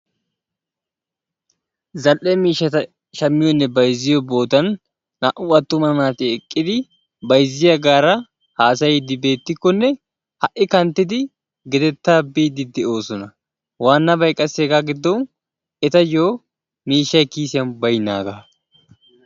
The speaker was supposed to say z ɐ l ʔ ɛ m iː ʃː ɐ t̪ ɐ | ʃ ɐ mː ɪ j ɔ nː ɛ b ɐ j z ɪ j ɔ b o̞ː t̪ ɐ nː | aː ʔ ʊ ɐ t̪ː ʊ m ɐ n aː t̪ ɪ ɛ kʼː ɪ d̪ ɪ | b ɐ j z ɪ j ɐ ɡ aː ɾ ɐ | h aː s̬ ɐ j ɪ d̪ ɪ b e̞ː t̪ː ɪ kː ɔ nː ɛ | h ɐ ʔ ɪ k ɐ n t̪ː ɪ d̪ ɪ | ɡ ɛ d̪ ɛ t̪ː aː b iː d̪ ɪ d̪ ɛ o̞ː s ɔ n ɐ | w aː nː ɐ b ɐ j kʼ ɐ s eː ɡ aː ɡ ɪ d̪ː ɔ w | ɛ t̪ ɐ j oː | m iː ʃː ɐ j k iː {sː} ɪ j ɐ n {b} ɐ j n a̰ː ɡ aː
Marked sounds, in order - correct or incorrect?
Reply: incorrect: s, correct

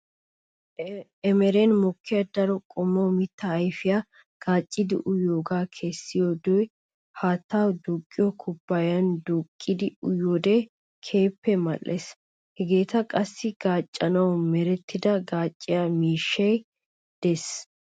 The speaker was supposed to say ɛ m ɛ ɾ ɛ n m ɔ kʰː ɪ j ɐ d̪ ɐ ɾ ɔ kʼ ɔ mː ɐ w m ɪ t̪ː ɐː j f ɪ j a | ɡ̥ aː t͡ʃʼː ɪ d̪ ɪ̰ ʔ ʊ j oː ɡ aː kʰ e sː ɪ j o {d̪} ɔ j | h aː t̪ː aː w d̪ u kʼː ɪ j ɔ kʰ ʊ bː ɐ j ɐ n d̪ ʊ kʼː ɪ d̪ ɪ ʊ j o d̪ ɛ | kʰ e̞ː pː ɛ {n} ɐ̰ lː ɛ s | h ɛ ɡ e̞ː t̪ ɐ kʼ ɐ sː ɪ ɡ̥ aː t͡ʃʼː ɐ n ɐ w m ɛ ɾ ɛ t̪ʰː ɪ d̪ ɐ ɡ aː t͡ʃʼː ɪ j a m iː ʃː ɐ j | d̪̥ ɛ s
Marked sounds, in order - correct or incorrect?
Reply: correct, incorrect: m

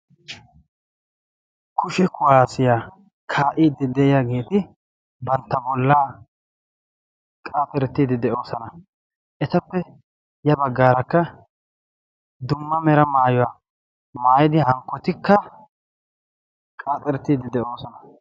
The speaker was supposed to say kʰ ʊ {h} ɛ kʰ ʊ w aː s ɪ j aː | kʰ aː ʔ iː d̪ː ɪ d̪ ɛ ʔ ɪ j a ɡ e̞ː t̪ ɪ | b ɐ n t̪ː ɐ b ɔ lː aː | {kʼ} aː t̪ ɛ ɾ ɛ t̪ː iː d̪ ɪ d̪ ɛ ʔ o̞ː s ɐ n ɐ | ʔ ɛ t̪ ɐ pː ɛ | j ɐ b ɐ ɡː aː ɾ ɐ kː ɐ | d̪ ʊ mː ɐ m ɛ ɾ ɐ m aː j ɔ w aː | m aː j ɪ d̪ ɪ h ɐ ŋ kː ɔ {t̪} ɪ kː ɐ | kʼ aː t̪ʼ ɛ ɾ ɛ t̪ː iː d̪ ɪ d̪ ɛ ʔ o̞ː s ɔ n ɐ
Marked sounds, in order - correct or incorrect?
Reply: incorrect: ʃ, correct, correct

